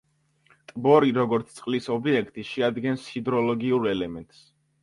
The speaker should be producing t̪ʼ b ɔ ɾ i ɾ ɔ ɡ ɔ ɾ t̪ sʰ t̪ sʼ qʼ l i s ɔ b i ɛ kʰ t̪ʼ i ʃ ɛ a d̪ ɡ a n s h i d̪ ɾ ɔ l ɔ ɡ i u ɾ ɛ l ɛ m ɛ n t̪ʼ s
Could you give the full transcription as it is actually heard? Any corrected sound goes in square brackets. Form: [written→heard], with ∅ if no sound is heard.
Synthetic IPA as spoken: t̪ʼ b ɔ ɾ i ɾ ɔ ɡ ɔ ɾ t̪ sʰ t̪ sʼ qʼ l i s ɔ b i ɛ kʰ t̪ʼ i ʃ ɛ a d̪ ɡ [a→ɛ] n s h i d̪ ɾ ɔ l ɔ ɡ i u ɾ ɛ l ɛ m ɛ n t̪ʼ s